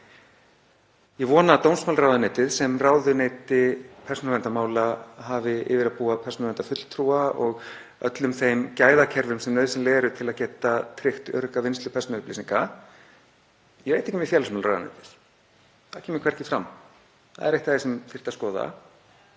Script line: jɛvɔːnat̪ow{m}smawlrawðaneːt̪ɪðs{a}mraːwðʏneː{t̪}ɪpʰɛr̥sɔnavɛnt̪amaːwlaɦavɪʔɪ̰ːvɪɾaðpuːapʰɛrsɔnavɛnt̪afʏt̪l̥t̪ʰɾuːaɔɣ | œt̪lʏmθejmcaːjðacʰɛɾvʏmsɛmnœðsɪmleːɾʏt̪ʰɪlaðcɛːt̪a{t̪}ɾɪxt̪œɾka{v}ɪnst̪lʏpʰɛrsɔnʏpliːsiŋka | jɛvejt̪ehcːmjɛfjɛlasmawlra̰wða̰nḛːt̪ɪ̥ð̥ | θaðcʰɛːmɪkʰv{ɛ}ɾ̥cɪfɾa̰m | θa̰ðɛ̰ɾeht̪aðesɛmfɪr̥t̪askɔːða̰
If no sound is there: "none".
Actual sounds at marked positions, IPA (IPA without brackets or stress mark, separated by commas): n, ɛ, t̪, t̪ʰ, v, ɛ